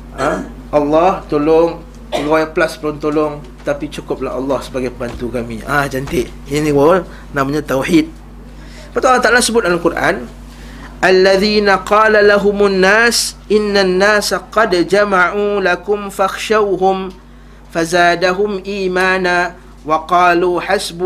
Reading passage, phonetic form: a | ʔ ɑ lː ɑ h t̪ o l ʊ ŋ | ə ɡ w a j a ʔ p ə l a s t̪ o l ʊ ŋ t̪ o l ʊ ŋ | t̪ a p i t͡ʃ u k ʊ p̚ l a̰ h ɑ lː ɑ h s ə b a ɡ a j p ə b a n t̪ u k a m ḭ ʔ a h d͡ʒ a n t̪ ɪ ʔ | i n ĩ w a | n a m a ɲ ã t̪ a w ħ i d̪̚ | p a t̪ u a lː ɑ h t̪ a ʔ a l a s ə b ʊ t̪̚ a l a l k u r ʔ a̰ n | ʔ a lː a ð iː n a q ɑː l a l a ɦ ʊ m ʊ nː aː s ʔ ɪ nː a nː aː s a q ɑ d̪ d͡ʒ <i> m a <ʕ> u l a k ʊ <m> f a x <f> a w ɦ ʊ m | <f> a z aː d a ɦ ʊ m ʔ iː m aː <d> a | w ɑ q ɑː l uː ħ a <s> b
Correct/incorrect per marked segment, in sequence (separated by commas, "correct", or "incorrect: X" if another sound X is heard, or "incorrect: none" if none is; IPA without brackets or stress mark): incorrect: a, correct, correct, incorrect: ʃ, correct, incorrect: n, correct